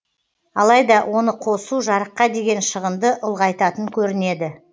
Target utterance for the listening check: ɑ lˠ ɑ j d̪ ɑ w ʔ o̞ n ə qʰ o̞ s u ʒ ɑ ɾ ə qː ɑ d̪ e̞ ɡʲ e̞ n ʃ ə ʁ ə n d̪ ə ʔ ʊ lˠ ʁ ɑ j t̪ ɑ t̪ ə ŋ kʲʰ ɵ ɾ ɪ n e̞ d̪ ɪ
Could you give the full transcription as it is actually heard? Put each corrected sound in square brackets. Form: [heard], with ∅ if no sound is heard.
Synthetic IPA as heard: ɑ lˠ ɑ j d̪ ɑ w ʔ o̞ n ə qʰ o̞ s u ʒ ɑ ɾ ə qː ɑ d̪ e̞ ɡʲ e̞ n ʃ ə ʁ ə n d̪ ə ʔ ʊ lˠ ʁ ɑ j t̪ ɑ t̪ ə ŋ kʲʰ ɵ ɾ ɪ n e̞ d̪ ɪ